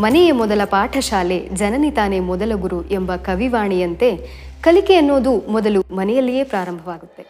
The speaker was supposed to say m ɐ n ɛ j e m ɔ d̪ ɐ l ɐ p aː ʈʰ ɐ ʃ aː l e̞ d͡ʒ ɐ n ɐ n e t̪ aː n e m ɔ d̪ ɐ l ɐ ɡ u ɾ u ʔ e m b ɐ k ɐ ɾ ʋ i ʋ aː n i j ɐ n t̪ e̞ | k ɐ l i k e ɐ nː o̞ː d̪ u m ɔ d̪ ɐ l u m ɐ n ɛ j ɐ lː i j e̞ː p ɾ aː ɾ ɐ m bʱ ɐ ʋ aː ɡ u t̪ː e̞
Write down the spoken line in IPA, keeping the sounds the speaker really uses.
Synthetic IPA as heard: m ɐ n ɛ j e m ɔ d̪ ɐ l ɐ p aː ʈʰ ɐ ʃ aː l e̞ d͡ʒ ɐ n ɐ n i t̪ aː n e m ɔ d̪ ɐ l ɐ ɡ u ɾ u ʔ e m b ɐ k ɐ ʋ i ʋ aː ɳ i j ɐ n t̪ e̞ | k ɐ l i k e ɐ nː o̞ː d̪ u m ɔ d̪ ɐ l u m ɐ n ɛ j ɐ lː i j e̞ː p ɾ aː ɾ ɐ m bʱ ɐ ʋ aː ɡ u t̪ː e̞